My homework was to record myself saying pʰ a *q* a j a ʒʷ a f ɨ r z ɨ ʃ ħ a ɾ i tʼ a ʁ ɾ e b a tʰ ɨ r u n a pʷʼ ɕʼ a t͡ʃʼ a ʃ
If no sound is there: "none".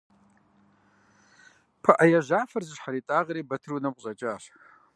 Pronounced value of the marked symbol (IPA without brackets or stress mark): ʔ